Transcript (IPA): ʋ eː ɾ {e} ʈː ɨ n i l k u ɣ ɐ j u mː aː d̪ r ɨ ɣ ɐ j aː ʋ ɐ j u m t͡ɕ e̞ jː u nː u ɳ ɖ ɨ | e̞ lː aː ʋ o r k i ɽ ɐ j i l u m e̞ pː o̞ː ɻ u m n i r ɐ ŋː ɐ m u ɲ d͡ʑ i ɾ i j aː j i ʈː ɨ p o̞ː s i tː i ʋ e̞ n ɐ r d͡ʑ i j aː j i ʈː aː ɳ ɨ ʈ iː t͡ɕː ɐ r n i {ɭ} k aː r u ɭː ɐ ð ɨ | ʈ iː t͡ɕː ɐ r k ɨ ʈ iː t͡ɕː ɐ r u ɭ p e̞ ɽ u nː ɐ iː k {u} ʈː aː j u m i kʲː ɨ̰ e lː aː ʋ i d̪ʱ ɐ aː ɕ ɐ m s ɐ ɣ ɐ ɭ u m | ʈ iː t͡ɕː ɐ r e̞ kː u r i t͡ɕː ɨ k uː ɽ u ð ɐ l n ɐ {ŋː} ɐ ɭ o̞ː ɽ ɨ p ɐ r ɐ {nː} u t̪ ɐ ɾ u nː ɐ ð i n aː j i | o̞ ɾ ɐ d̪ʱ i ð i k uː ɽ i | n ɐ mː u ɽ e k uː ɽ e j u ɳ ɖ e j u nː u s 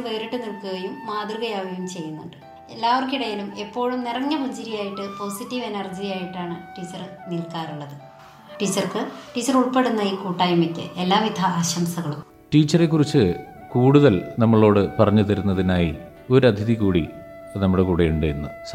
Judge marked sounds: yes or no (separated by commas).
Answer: no, no, no, no, no